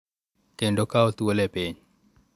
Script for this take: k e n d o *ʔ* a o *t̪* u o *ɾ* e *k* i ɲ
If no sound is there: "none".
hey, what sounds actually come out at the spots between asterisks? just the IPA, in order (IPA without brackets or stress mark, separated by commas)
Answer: k, t̪, l, p